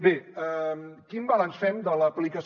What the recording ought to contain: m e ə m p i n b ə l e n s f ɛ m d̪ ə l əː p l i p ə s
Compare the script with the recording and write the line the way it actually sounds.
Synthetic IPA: b e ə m k i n b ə l a n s f ɛ m d̪ ə l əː p l i k ə s

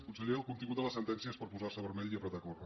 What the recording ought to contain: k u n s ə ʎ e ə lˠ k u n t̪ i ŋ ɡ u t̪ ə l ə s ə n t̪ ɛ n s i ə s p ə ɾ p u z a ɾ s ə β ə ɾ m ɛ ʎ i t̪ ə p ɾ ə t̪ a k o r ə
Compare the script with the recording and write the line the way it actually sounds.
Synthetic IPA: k u n s ə ʎ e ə lˠ k u n t̪ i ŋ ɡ u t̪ ə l ə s ə n t̪ ɛ n s i ə s p ə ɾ p u z a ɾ s ə β ə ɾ m ɛ ʎ i ə p ɾ ə t̪ a k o r ə

